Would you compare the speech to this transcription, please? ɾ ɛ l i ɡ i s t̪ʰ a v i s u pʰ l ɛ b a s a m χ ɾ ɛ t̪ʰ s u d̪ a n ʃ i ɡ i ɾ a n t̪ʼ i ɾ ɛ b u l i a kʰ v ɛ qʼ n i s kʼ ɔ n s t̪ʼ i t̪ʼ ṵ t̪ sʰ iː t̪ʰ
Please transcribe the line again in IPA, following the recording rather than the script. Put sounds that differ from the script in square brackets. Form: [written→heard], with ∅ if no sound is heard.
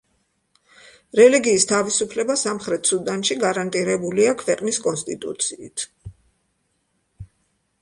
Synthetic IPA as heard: ɾ ɛ l i ɡ [i→iː] s t̪ʰ a v i s u pʰ l ɛ b a s a m χ ɾ ɛ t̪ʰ s u d̪ a n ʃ i ɡ [i→a] ɾ a n t̪ʼ i ɾ ɛ b u l i a kʰ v ɛ qʼ n i s kʼ ɔ n s t̪ʼ i t̪ʼ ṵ t̪ sʰ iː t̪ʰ